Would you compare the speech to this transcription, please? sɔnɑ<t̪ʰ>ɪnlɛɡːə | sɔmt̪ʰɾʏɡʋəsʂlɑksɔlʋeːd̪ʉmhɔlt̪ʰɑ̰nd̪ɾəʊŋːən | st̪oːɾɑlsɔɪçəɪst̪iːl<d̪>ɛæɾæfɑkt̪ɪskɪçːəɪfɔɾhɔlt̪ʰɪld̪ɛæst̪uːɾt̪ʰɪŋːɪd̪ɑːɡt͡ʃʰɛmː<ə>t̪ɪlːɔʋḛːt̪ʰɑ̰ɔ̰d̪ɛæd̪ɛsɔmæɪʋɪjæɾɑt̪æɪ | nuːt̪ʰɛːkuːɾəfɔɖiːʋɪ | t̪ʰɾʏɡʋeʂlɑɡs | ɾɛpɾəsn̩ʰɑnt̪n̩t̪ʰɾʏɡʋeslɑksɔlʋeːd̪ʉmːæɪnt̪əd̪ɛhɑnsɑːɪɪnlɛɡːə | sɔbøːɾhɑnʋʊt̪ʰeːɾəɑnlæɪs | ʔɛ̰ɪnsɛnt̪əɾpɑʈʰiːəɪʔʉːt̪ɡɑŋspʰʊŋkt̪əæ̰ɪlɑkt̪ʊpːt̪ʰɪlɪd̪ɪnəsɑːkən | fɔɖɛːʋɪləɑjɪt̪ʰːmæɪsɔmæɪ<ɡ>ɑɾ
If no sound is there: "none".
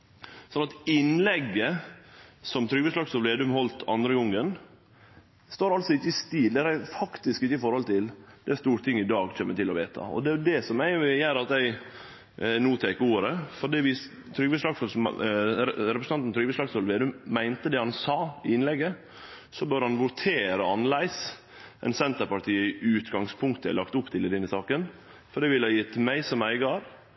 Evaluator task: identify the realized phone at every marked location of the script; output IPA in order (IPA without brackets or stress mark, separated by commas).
t̪, d̪, ə, ɡ